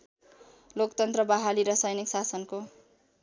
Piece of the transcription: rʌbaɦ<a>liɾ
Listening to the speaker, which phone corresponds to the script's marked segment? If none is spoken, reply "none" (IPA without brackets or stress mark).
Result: a